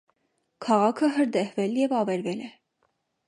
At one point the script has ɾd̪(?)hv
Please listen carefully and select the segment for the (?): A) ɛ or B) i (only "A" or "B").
A